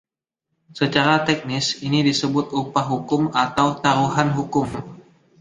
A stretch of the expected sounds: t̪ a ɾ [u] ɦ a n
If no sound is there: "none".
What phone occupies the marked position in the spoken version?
u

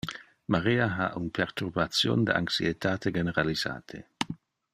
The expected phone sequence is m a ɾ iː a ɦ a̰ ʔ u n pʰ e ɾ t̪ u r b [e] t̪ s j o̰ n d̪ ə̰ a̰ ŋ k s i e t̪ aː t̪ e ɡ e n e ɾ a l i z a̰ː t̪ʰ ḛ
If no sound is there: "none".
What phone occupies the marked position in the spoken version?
a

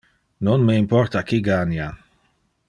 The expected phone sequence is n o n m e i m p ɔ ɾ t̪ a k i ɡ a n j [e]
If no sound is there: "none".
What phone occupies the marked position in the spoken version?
a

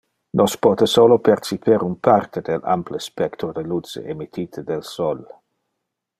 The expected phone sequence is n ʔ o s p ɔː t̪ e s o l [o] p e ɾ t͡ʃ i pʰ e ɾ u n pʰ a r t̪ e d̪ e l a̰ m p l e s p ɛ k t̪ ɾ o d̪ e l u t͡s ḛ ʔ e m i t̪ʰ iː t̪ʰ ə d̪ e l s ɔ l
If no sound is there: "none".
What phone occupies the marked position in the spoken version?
o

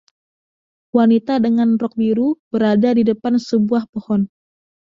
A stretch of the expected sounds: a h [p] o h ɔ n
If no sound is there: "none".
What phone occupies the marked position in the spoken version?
p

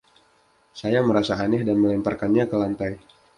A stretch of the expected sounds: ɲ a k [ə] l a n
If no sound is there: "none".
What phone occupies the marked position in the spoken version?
ə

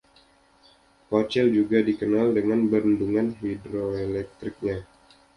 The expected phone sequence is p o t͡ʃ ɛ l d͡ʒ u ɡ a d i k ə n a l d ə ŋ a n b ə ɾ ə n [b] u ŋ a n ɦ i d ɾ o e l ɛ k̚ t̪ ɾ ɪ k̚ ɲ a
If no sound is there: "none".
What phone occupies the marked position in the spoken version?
d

